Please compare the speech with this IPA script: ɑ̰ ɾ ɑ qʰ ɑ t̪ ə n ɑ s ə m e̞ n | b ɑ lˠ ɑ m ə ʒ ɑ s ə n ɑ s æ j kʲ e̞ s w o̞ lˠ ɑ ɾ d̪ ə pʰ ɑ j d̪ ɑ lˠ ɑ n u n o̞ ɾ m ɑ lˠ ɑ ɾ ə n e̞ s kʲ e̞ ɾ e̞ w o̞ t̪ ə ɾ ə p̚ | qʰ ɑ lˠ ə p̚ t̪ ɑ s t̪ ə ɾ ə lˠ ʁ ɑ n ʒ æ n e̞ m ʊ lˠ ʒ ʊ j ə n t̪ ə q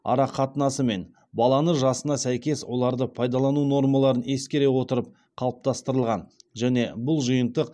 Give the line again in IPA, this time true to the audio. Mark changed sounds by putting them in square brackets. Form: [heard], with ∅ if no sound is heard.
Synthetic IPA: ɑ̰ ɾ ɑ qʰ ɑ t̪ ə n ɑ s ə m e̞ n | b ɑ lˠ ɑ [n] ə ʒ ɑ s ə n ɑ s æ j kʲ e̞ s w o̞ lˠ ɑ ɾ d̪ ə pʰ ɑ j d̪ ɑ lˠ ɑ n u n o̞ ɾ m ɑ lˠ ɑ ɾ ə n e̞ s kʲ e̞ ɾ e̞ w o̞ t̪ ə ɾ ə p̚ | qʰ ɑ lˠ ə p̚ t̪ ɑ s t̪ ə ɾ ə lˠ ʁ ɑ n ʒ æ n e̞ [b] ʊ lˠ ʒ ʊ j ə n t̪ ə q